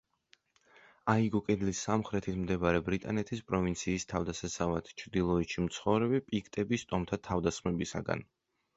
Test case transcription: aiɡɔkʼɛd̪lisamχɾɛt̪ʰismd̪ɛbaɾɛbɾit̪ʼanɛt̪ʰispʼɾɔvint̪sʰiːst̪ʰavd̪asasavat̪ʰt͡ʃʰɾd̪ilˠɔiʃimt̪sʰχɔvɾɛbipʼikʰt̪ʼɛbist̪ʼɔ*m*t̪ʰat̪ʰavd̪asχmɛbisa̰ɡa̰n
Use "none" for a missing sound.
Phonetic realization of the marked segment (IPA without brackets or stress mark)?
m